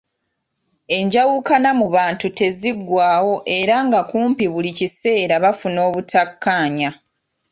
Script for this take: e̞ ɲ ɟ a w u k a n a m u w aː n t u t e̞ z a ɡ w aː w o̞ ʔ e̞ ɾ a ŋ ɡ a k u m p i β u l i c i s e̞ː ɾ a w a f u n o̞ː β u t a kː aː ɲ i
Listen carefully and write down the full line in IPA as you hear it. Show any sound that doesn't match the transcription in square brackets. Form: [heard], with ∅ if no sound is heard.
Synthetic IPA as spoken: e̞ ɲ ɟ a w u k a n a m u [β] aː n t u t e̞ z [i] ɡ w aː w o̞ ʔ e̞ ɾ a ŋ ɡ a k [uː] m p i β u l i c i s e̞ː ɾ a [β] a f u n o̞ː β u t a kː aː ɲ [a]